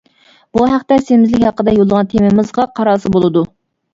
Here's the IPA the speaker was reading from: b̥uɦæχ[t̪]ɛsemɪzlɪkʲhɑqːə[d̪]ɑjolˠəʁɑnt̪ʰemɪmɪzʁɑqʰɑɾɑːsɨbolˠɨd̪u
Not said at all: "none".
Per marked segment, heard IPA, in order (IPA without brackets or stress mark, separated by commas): t̪, d̪